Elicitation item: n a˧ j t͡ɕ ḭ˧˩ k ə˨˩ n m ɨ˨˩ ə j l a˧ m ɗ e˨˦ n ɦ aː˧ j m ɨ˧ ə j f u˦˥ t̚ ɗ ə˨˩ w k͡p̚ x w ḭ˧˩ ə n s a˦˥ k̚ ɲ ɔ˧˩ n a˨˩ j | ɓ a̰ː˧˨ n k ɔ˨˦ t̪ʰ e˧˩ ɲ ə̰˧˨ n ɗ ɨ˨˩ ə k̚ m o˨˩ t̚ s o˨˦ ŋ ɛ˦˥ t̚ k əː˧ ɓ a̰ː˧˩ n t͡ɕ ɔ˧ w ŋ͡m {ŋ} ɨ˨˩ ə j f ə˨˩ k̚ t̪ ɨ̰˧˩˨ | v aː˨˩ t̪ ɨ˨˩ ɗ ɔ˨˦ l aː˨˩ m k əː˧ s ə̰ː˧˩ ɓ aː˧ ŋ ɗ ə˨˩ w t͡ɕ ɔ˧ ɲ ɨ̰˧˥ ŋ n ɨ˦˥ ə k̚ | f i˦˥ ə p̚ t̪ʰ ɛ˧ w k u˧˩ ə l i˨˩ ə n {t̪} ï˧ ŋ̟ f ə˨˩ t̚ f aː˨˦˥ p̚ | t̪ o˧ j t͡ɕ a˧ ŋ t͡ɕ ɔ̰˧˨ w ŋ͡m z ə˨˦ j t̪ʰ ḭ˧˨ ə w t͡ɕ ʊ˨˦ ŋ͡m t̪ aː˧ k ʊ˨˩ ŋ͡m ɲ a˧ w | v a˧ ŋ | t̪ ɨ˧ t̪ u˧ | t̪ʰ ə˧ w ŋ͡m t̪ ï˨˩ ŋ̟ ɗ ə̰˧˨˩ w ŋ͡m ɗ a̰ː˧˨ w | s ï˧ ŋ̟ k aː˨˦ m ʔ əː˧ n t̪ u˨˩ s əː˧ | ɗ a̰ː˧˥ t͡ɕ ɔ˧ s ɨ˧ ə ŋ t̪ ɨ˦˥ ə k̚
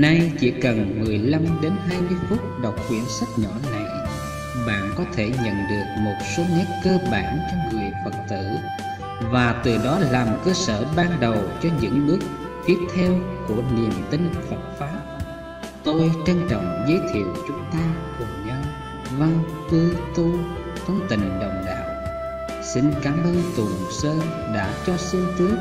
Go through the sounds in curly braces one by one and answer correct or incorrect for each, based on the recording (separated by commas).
correct, correct